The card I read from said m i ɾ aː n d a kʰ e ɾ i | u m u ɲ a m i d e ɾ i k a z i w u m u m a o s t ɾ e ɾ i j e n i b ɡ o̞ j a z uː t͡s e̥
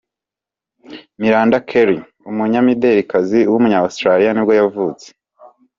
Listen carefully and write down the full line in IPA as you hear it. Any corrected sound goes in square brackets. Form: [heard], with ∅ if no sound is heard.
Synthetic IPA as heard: m i ɾ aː n d a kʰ e ɾ i | u m u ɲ a m i d e ɾ i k a z i w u m u [ɲ] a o s t ɾ [a] ɾ i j [a] n i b ɡ o̞ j a [v] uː t͡s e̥